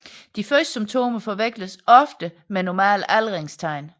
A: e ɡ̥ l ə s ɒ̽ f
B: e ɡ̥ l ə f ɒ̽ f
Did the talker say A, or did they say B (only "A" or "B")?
A